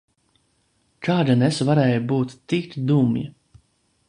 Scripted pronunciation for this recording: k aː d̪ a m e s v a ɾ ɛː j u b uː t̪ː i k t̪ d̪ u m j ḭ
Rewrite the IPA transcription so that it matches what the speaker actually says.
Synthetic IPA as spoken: k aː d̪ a n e s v a ɾ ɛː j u b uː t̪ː i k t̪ d̪ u m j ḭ